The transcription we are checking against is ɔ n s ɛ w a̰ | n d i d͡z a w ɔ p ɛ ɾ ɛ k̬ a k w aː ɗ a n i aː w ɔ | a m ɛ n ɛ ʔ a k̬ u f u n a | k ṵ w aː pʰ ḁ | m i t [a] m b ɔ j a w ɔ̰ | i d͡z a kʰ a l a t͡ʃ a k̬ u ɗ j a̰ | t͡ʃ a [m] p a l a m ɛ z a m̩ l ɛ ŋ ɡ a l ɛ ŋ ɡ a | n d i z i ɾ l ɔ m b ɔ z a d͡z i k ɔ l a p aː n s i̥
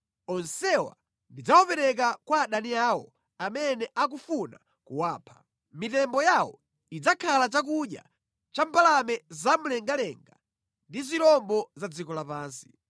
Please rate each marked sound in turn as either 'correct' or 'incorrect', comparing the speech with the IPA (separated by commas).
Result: incorrect, correct